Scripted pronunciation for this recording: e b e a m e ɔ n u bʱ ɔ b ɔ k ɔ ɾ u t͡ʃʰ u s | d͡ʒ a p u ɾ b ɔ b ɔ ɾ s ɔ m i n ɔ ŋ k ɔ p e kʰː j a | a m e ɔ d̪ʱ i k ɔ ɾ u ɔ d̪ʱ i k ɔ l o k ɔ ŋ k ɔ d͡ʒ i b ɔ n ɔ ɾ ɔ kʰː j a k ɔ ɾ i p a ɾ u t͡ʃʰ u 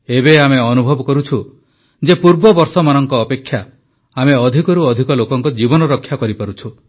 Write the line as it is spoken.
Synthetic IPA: e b e a m e ɔ n u bʱ ɔ b ɔ k ɔ ɾ u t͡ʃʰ u | d͡ʒ e p u ɾ b ɔ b ɔ ɾ s ɔ m a n ɔ ŋ k ɔː p e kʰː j a | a m e ɔ d̪ʱ i k ɔ ɾ u ɔ d̪ʱ i k ɔ l o k ɔ ŋ k ɔ d͡ʒ i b ɔ n ɔ ɾ ɔ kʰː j a k ɔ ɾ i p a ɾ u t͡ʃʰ u